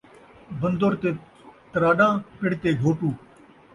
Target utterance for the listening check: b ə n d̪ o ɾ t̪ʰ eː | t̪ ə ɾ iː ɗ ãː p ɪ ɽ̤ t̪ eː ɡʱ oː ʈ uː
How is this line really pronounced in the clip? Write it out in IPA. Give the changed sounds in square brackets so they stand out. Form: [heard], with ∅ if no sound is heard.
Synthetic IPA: b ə n d̪ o ɾ [t̪] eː | t̪ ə ɾ [aː] ɗ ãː p ɪ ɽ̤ t̪ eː ɡʱ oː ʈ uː